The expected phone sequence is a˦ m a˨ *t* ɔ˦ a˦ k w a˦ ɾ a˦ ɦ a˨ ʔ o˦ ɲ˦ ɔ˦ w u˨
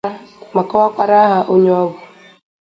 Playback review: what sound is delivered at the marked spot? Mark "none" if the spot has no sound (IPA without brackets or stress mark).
k